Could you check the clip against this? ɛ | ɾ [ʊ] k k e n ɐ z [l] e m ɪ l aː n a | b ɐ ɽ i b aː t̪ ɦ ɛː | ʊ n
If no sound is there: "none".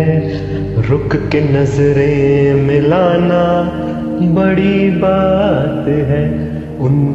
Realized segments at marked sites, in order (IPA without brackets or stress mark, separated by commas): ʊ, ɾ